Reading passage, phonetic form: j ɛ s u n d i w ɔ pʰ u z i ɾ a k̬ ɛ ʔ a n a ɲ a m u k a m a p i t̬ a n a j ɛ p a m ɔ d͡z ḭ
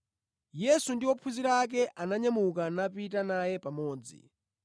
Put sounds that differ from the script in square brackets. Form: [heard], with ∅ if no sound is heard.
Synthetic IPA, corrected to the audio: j ɛ s u n d i w ɔ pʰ u z i ɾ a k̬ ɛ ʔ a n a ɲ a m u k a [n] a p i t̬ a n a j ɛ p a m [ɔː] d͡z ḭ

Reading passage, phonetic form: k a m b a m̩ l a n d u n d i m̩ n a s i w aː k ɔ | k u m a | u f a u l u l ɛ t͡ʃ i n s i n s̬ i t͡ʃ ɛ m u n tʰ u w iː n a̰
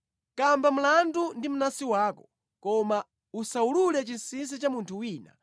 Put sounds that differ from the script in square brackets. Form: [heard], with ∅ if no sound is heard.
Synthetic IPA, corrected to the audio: k a m b a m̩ l a n d u n d i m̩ n a s i w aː k ɔ | k [ɔ] m a | u [s] a u l u l ɛ t͡ʃ i n s i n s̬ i t͡ʃ [a] m u n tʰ u w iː n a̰

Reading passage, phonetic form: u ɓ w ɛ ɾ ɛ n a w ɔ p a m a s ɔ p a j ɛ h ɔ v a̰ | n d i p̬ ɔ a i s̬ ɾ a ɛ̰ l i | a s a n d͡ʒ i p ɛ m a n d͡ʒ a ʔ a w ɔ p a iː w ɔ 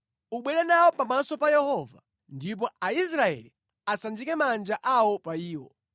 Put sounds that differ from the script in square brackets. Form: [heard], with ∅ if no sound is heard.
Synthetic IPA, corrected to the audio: u ɓ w ɛ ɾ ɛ n a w ɔ p a m a s ɔ p a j ɛ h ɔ v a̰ | n d i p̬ ɔ a i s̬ ɾ a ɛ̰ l i | a s a n d͡ʒ i [k] ɛ m a n d͡ʒ a ʔ a w ɔ p a iː w ɔ

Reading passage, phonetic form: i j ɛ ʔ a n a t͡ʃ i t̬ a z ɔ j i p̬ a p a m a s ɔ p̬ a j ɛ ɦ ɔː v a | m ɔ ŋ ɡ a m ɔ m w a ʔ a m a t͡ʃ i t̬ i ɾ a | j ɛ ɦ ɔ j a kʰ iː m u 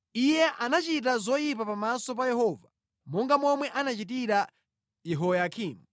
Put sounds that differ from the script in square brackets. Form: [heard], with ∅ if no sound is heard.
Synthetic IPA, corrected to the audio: i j ɛ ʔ a n a t͡ʃ i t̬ a z ɔ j i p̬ a p a m a s ɔ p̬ a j ɛ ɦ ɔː v a | m ɔ ŋ ɡ a m ɔ m w [ɛ] ʔ a [n] a t͡ʃ i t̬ i ɾ a | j ɛ ɦ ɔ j a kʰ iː m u

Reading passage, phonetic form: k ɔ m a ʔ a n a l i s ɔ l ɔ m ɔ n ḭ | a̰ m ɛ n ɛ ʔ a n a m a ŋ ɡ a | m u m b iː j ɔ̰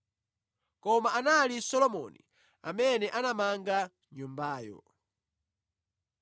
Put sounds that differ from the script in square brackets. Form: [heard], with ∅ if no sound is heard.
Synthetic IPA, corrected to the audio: k ɔ m a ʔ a n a l i s ɔ l ɔ m ɔ n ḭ | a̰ m ɛ n ɛ ʔ a n a m a ŋ ɡ a | [ɲ] u m b [aː] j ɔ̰

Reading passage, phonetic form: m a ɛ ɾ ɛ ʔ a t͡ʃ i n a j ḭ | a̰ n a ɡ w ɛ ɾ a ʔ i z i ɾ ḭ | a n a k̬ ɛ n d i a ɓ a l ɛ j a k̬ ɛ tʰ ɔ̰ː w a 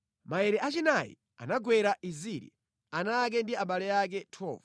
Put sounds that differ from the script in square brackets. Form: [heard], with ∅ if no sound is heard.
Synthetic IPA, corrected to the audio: m a ɛ ɾ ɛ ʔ a t͡ʃ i n a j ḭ | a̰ n a ɡ w ɛ ɾ a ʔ i z i ɾ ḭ | a n a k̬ ɛ n d i a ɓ a l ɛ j a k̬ ɛ tʰ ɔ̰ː [v] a

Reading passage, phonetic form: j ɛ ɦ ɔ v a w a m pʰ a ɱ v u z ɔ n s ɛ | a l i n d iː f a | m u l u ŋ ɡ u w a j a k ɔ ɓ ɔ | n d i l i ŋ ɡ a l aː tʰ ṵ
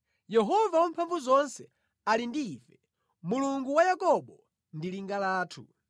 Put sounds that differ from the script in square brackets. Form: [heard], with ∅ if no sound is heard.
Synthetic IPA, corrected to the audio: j ɛ ɦ ɔ v a w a m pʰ a ɱ v u z ɔ n s ɛ | a l i n d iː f [ɛ] | m u l u ŋ ɡ u w a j a k ɔ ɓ ɔ | n d i l i ŋ ɡ a l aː tʰ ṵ

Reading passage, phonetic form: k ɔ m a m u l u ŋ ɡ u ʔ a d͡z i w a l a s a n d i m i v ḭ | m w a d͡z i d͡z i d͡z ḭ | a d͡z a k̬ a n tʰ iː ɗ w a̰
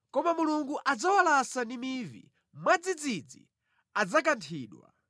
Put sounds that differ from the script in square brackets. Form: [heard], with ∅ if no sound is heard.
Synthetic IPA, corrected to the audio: k ɔ m a m u l u ŋ ɡ u ʔ a d͡z [a] w a l a s a n d i m i v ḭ | m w a d͡z i d͡z i d͡z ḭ | a d͡z a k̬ a n tʰ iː ɗ w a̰

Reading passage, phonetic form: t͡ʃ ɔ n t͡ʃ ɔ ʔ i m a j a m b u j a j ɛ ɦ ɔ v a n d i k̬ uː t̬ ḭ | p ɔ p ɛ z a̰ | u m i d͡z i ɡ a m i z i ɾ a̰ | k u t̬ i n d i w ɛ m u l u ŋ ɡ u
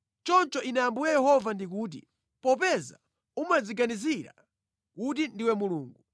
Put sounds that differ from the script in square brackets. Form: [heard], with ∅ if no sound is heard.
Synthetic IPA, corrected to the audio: t͡ʃ ɔ n t͡ʃ ɔ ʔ i [n] a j a m b u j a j ɛ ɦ ɔ v a n d i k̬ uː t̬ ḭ | p ɔ p ɛ z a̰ | u m [a] d͡z i ɡ a [n] i z i ɾ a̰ | k u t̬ i n d i w ɛ m u l [uː] ŋ ɡ u

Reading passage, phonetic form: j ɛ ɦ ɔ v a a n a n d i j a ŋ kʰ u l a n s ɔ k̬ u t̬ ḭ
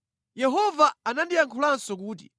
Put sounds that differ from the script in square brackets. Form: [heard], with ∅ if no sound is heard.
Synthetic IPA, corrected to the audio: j ɛ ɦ ɔ v a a n a n d i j a ŋ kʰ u l a n s ɔ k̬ [uː] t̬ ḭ

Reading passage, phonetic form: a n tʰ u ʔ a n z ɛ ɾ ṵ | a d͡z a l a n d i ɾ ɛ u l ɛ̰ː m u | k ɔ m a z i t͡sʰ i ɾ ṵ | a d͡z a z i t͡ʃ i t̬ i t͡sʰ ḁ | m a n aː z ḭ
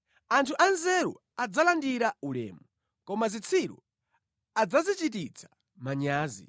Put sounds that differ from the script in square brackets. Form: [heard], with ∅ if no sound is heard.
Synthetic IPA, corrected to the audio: a n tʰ u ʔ a n z ɛ ɾ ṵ | a d͡z a l a n d i ɾ [a] u l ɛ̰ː m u | k ɔ m a z i t͡sʰ i ɾ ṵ | a d͡z a z i t͡ʃ i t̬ i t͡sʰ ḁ | m a [ɲ] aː z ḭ

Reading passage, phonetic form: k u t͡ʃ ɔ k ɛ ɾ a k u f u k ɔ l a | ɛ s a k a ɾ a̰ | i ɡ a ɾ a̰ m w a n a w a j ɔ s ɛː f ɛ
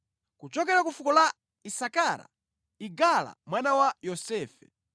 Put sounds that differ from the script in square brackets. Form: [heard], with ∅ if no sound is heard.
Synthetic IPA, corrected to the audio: k u t͡ʃ ɔ k ɛ ɾ a k u f u k ɔ l a | [i] s a k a ɾ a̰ | i ɡ a [l] a̰ m w a n a w a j ɔ s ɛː f ɛ

